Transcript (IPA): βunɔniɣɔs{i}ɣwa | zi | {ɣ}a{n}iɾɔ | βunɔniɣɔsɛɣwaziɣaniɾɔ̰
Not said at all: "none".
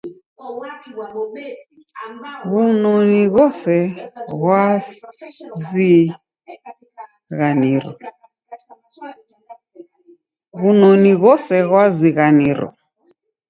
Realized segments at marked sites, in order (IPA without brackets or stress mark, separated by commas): ɛ, ɣ, n